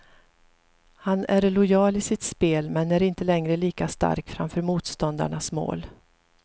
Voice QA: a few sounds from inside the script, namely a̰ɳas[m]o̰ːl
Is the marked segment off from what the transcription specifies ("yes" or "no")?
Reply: no